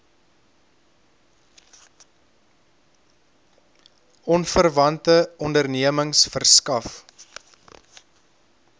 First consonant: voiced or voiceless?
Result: voiced